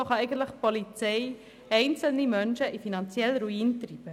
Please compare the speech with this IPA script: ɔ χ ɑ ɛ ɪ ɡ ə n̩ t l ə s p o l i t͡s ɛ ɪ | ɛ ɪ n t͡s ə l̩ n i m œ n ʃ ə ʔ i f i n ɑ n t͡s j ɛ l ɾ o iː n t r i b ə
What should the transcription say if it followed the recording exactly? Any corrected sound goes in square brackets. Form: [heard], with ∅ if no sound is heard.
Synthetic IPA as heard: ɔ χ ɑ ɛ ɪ ɡ ə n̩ t l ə [χ] p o l i t͡s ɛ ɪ | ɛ ɪ n t͡s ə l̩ n i m œ n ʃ ə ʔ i f i n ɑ n t͡s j ɛ l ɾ [u] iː n t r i b ə